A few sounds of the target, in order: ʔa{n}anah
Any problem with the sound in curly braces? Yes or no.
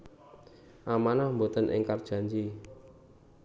yes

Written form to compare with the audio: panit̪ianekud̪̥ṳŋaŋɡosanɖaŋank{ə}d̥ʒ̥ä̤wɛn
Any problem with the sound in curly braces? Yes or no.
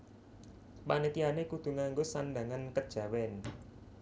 no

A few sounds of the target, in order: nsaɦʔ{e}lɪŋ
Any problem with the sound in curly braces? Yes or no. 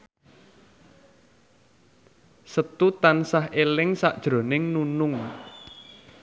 no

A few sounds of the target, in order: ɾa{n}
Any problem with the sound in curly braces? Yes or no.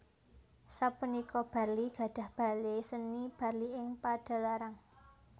yes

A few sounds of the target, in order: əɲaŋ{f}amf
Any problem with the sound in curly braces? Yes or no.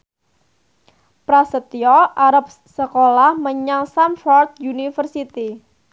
yes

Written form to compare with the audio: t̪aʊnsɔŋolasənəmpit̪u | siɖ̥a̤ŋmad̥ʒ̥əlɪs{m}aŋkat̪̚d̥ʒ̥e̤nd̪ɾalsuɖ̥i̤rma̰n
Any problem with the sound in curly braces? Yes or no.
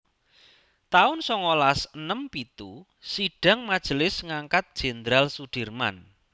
yes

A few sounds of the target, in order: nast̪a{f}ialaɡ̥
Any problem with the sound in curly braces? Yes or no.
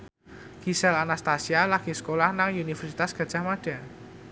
yes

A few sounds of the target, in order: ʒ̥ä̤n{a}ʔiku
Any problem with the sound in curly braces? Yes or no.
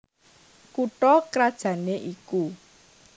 yes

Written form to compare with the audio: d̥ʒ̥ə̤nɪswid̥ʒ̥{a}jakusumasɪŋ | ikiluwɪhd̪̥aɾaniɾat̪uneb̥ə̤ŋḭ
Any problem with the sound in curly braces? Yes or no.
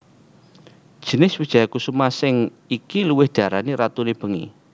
no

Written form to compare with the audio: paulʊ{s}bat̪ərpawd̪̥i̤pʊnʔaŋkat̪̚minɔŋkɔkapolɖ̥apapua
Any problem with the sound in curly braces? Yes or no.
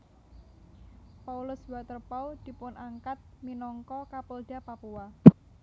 no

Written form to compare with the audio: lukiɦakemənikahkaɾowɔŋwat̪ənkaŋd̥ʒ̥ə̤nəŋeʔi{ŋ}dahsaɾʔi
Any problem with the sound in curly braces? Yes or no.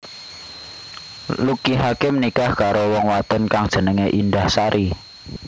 yes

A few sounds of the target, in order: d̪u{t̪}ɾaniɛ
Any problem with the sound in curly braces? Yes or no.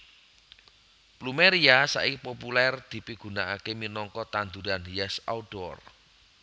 yes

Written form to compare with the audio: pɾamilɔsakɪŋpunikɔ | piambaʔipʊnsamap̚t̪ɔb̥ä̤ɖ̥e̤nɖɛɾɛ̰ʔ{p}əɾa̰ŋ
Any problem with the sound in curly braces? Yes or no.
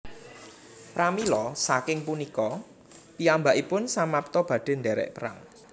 no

